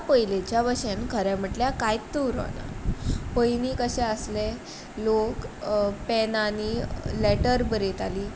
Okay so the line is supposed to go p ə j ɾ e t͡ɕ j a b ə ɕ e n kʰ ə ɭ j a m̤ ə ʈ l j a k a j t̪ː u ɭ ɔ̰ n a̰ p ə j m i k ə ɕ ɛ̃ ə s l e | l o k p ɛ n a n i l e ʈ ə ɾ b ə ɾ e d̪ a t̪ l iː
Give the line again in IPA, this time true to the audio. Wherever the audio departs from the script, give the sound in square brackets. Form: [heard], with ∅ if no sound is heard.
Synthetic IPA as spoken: p ə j [l] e t͡ɕ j a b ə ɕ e n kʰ ə [ɾ] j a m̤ ə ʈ l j a k a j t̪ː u [ɾ] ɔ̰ n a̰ p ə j [n] i k ə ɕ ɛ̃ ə s l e | l o k p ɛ n a n i l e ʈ ə ɾ b ə ɾ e [t̪] a [∅] l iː